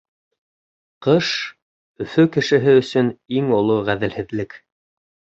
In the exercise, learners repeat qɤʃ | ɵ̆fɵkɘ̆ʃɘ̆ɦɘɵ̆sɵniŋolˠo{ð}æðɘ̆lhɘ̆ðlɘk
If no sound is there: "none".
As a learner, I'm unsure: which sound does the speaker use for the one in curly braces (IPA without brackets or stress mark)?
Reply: ʁ